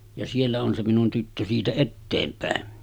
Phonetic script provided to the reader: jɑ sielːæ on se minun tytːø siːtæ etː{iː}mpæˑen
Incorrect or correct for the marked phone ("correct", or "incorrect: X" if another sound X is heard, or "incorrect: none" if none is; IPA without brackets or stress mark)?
incorrect: eː